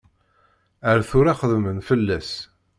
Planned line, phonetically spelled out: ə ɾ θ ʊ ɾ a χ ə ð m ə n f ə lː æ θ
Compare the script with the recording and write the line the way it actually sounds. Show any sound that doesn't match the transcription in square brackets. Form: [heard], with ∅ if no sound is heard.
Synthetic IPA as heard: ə ɾ θ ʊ ɾ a χ ə ð m ə n f ə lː æ [s]